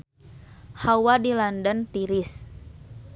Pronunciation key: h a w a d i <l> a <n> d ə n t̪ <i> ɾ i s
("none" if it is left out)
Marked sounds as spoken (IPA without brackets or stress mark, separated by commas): l, n, i